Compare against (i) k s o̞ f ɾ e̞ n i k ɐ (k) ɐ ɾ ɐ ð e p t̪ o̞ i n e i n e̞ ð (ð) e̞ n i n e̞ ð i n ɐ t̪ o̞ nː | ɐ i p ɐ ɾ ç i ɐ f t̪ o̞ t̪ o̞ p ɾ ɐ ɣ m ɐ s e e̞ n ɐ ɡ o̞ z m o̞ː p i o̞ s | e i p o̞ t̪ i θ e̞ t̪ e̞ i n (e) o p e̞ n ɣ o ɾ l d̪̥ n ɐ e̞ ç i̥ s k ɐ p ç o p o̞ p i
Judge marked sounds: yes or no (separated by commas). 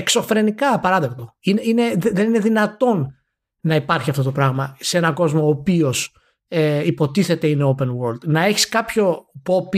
no, no, yes, yes